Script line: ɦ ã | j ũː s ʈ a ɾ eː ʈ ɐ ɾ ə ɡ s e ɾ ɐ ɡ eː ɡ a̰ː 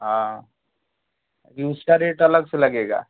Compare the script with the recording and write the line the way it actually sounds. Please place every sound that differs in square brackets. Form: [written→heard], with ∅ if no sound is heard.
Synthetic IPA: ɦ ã | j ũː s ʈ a ɾ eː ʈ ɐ [ɾ→l] ə ɡ s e [ɾ→l] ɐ ɡ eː ɡ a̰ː